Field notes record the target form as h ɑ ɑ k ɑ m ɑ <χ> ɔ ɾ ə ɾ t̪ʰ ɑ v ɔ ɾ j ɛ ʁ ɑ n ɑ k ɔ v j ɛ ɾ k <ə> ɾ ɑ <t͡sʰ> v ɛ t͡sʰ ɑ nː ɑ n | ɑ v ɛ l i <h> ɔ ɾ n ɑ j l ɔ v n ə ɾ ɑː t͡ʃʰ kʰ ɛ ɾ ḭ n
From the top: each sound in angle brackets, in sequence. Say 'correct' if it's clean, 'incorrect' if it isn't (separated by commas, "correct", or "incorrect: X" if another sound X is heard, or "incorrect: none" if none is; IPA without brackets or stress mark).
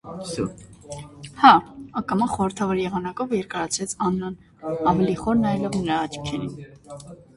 correct, incorrect: ɑ, correct, incorrect: χ